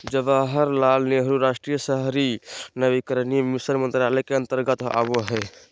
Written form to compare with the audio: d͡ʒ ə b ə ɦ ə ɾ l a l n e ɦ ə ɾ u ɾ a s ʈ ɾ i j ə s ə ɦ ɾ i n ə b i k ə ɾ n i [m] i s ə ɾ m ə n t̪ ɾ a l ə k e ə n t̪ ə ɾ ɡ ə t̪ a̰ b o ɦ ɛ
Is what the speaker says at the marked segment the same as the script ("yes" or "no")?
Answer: yes